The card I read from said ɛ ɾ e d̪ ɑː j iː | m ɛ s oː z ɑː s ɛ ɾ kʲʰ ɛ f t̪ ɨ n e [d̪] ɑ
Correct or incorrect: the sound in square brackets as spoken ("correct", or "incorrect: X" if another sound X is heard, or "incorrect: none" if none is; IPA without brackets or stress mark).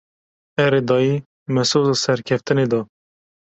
correct